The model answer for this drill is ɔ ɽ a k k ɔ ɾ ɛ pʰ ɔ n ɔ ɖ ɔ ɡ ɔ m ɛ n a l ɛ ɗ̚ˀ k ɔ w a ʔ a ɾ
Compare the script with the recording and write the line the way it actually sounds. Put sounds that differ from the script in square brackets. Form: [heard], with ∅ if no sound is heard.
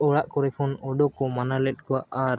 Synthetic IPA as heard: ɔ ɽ a [ʔ] k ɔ ɾ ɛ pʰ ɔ n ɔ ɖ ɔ [k] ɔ m [a] n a l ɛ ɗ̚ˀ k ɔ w a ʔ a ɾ